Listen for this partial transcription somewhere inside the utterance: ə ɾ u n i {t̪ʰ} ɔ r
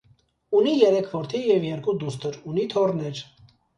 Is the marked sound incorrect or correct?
correct